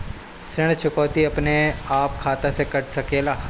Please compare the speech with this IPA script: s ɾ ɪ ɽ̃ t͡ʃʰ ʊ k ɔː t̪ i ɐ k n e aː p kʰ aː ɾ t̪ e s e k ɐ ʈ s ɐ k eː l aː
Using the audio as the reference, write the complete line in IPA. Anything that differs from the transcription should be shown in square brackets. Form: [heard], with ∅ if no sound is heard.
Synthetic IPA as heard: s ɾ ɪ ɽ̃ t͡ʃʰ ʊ k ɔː t̪ i ɐ [p] n e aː p kʰ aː [∅] t̪ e s e k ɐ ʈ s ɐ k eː l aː